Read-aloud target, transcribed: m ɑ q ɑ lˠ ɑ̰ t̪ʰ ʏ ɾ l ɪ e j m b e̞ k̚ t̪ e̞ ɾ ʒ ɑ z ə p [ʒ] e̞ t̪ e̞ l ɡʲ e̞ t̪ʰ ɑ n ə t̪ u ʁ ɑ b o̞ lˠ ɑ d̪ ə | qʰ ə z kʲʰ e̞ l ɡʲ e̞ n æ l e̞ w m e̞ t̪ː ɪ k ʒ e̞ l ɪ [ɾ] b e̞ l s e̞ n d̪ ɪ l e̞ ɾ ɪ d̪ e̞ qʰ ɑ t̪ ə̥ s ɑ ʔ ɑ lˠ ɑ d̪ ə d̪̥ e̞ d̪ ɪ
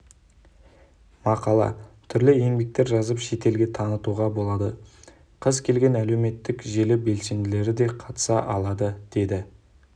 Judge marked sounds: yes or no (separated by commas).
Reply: no, no